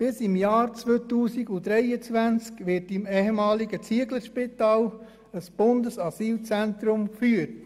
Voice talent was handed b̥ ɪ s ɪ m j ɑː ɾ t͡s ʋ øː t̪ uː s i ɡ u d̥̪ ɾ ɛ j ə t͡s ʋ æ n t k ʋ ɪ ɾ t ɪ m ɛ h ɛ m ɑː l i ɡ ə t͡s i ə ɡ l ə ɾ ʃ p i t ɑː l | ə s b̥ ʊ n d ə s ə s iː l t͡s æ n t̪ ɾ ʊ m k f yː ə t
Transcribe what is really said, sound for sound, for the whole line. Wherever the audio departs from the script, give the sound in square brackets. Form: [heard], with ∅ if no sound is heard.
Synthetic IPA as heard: b̥ ɪ s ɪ m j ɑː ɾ t͡s ʋ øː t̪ uː s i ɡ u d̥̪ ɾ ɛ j ə t͡s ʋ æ n [t͡s] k ʋ ɪ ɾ t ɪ m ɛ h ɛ m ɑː l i ɡ ə t͡s i ə ɡ l ə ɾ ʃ p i t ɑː l | ə s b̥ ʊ n d ə s [ɑ] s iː l t͡s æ n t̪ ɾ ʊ m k f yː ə t